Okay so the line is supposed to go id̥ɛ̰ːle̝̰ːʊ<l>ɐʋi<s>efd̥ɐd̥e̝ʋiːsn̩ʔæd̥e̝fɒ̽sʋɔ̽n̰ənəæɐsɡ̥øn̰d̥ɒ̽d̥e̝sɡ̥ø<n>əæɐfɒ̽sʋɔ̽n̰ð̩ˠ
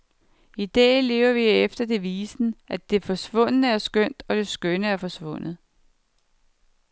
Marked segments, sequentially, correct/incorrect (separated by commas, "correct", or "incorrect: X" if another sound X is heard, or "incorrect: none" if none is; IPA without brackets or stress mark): incorrect: none, incorrect: none, correct